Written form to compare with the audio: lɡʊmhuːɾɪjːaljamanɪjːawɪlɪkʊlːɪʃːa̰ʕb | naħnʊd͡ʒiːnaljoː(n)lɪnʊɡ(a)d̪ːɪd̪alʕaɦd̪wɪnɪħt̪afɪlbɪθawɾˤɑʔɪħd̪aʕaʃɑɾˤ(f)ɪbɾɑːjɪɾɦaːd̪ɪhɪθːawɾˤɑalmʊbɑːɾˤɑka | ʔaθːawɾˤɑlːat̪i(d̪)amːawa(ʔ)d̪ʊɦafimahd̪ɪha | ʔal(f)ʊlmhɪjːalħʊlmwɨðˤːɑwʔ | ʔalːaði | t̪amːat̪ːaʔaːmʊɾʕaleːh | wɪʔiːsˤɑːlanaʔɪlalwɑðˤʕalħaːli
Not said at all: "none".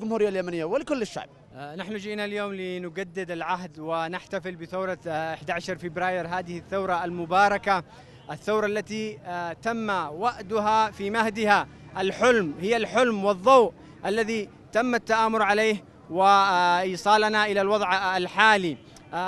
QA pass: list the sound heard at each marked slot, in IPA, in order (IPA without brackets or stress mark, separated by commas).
m, a, f, t̪, ʔ, ħ